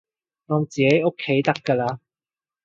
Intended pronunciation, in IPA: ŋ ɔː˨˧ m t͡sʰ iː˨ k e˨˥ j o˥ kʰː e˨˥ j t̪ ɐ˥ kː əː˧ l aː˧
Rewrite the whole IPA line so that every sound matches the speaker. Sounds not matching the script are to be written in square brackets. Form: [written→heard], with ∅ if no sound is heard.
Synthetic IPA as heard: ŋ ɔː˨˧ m [t͡sʰ→t͡s] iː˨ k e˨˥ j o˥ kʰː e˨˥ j t̪ ɐ˥ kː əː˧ l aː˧